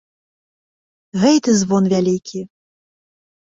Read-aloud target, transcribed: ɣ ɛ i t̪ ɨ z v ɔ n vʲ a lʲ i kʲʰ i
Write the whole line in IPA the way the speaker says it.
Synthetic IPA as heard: ɣ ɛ j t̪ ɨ z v ɔ n vʲ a lʲ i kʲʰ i